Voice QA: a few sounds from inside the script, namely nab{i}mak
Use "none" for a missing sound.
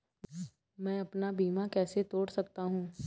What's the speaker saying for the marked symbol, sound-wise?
iː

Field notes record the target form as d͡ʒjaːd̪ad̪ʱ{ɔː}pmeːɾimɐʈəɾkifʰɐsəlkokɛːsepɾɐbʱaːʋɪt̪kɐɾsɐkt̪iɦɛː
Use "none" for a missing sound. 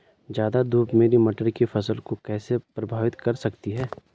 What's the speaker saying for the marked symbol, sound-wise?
uː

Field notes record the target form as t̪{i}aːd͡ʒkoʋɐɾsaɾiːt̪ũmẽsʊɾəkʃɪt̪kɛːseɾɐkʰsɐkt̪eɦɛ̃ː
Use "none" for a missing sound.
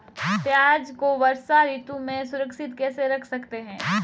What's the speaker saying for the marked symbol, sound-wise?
j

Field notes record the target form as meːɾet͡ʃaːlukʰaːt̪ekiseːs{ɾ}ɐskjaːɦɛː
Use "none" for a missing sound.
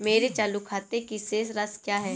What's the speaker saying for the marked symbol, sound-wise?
ɾ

